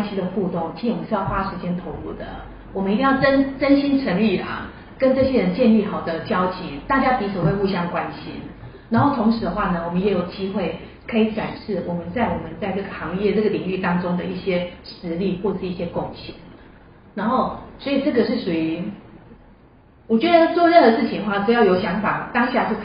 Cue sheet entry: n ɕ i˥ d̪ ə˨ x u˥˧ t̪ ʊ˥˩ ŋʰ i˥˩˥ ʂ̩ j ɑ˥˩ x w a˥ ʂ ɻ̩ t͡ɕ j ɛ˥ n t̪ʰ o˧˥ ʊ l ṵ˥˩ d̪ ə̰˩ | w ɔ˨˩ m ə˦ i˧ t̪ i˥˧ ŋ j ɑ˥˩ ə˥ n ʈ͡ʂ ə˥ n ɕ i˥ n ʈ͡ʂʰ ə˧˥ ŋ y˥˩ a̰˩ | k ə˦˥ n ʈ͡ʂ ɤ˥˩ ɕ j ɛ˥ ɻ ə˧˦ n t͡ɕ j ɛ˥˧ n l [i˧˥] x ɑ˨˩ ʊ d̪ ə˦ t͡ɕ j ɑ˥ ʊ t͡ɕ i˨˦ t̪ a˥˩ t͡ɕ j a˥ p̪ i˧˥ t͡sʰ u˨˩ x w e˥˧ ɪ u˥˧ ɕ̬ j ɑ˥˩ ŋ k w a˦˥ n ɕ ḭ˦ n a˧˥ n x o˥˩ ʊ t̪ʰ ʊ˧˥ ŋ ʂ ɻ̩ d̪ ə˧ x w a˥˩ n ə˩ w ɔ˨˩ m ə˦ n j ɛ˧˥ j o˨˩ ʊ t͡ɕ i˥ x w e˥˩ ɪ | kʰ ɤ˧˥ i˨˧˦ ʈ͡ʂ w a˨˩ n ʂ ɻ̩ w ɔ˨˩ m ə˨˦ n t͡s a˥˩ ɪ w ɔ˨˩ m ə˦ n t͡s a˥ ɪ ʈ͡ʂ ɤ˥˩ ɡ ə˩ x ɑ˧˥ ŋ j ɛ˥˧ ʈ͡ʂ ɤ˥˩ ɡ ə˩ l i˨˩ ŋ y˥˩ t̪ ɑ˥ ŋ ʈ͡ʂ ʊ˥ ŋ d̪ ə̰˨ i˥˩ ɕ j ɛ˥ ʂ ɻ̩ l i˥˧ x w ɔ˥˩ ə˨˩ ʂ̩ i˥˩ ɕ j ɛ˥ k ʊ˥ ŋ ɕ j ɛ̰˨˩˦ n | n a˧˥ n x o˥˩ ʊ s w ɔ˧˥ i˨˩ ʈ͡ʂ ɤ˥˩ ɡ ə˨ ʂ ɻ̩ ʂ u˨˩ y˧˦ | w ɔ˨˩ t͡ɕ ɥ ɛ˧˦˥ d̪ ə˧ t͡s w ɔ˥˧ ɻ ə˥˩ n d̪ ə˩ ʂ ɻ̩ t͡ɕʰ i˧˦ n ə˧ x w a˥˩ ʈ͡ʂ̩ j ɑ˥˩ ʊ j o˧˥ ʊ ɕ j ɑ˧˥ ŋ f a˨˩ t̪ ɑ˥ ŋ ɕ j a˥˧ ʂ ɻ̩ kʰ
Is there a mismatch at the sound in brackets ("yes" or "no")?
yes